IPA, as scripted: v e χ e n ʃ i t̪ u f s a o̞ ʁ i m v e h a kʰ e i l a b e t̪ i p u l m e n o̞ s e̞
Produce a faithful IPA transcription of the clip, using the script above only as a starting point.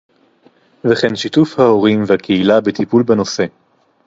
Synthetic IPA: v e χ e n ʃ i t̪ u f h a o̞ ʁ i m v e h a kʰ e i l a b e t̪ i p u l b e n o̞ s e̞